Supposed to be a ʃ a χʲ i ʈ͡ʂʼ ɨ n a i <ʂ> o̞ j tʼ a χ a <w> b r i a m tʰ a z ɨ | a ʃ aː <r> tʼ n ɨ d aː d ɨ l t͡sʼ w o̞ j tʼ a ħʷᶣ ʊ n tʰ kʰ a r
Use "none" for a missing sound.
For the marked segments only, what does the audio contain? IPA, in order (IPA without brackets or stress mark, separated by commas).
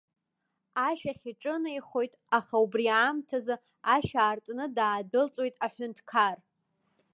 χ, u, r